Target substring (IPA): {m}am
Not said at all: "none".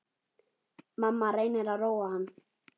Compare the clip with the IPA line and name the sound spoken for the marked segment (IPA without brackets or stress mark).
m